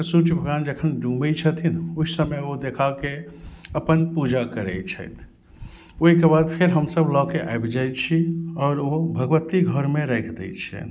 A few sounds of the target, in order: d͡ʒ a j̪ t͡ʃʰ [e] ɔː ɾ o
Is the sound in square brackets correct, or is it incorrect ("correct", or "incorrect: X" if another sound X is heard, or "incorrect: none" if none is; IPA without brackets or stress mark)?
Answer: incorrect: i